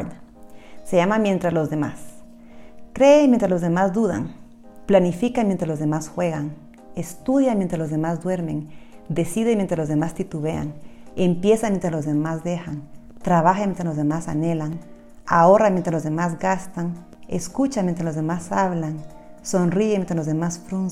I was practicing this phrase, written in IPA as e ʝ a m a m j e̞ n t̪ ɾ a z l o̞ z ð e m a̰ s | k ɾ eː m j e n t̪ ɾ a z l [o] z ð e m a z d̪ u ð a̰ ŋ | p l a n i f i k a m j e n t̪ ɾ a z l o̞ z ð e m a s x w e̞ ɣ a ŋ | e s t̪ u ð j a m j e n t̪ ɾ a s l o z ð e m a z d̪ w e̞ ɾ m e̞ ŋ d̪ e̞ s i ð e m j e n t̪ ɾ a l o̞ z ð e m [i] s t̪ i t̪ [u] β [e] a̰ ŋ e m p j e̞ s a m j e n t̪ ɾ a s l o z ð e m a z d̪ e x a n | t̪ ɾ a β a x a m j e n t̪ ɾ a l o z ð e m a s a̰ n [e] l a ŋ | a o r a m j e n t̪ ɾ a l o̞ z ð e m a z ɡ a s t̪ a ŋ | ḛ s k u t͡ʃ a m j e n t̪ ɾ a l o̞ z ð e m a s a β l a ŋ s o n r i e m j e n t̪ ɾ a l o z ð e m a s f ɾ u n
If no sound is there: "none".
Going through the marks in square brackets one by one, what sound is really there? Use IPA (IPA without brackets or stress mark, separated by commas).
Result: o, a, u, e, e